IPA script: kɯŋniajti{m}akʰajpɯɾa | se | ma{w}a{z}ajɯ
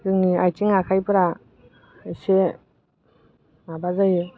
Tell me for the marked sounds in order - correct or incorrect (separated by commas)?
incorrect, incorrect, correct